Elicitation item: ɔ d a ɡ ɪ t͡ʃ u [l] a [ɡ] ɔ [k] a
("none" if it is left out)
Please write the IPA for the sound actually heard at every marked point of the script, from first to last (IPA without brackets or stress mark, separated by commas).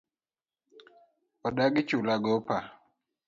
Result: l, ɡ, p